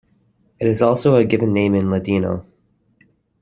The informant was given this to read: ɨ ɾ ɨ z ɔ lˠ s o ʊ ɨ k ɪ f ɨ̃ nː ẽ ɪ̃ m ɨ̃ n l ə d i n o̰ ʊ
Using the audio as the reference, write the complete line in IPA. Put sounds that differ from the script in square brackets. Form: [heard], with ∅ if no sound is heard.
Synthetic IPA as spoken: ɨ ɾ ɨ z ɔ lˠ s o ʊ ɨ [ɡ] ɪ [v] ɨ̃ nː ẽ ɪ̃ m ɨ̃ n l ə d i n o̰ ʊ